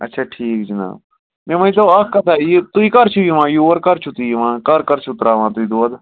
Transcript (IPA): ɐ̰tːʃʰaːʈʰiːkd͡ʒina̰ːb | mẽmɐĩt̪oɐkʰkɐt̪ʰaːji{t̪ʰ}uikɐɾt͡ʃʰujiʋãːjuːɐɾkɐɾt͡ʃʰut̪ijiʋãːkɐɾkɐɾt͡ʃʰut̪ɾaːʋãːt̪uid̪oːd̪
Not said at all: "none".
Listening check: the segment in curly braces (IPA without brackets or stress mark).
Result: t̪